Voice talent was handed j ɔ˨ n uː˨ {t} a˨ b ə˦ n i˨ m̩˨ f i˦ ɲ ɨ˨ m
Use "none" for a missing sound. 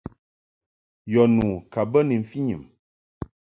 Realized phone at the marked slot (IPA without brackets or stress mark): k